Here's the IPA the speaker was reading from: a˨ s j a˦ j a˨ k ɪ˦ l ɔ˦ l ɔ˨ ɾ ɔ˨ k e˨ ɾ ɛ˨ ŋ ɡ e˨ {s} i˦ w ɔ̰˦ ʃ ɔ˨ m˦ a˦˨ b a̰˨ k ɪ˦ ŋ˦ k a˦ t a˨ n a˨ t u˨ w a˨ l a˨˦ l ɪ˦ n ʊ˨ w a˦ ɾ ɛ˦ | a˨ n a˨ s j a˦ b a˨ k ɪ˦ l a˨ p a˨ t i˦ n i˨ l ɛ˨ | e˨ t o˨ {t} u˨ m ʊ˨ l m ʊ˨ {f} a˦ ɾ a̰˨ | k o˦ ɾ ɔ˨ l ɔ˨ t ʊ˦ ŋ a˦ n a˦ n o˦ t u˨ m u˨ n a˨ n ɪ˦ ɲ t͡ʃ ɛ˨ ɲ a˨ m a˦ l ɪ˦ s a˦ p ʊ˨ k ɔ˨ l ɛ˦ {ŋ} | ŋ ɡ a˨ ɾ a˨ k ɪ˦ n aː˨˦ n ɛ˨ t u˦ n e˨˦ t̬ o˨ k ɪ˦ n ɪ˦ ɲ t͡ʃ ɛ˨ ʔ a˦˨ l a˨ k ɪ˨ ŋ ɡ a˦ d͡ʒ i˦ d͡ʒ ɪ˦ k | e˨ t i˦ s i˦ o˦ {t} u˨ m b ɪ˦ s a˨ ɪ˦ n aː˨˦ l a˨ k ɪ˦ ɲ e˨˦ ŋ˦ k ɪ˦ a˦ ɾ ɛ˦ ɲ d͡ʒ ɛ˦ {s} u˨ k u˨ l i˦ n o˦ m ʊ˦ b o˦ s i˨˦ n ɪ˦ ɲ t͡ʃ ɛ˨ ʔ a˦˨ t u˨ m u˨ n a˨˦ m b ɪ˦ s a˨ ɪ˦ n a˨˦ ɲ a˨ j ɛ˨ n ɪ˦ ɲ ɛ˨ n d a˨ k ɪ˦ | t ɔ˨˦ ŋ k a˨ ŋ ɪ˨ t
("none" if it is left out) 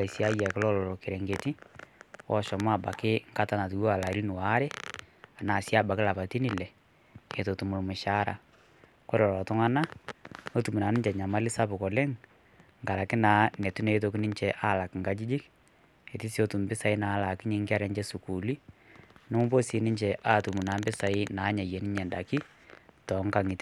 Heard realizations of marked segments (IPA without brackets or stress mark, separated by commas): t, t, ʃ, ŋ, t, s